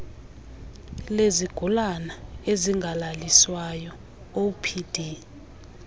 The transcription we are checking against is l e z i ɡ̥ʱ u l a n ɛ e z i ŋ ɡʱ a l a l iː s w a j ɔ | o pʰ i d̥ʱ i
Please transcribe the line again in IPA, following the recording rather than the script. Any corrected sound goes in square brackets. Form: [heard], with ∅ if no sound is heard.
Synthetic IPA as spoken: l e z i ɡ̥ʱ u l a n [a] e z i ŋ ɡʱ a l a l [i] s w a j ɔ | o pʰ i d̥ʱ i